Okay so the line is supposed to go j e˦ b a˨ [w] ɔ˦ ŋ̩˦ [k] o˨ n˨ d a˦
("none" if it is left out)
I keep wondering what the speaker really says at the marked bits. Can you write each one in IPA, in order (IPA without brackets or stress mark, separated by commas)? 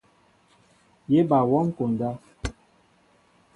w, k